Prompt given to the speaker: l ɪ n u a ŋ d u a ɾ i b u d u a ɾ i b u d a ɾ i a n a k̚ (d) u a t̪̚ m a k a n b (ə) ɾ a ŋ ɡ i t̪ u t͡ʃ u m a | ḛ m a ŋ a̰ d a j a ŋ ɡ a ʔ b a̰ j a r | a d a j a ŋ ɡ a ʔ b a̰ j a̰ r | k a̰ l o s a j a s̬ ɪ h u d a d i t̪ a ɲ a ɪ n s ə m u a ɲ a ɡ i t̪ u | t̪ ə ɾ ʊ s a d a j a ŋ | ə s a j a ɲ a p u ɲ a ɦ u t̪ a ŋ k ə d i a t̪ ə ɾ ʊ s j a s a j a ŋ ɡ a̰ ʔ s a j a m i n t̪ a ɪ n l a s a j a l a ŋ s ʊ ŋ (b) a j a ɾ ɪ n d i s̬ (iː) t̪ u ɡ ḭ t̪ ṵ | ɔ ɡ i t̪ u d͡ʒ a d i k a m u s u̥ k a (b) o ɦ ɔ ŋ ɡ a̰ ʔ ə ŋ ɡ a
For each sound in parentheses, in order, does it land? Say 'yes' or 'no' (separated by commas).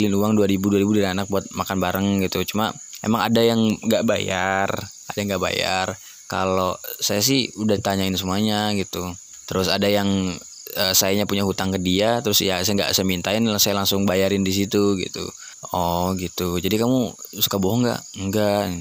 no, no, yes, no, yes